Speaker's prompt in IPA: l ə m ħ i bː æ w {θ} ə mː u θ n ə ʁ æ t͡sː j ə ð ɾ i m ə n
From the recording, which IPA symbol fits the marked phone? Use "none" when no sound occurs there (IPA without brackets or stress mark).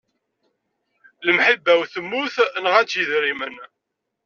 θ